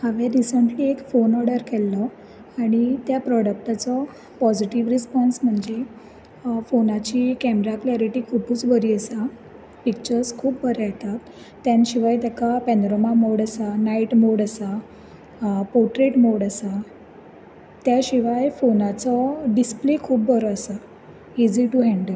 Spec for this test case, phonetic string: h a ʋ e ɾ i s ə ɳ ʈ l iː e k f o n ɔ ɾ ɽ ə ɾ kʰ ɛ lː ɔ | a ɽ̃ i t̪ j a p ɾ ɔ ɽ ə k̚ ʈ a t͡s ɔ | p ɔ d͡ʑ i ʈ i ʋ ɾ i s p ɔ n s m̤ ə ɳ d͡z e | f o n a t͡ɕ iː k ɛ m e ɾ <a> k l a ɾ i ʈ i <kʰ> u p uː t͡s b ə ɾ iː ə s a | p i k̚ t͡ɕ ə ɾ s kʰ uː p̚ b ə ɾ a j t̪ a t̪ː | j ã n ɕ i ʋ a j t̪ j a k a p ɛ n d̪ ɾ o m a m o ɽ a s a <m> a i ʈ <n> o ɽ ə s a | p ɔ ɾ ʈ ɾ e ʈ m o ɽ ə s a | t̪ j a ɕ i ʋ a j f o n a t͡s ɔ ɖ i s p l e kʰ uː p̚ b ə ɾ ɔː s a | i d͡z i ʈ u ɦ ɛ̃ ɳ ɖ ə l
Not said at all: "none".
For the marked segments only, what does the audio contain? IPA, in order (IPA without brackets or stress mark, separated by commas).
a, kʰ, n, m